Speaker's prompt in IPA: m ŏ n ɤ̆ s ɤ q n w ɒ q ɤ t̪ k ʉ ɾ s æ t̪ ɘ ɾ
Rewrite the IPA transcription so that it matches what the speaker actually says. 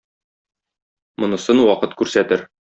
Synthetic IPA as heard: m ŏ n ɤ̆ s ɤ n w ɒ q ɤ t̪ k ʉ ɾ s æ t̪ ɘ ɾ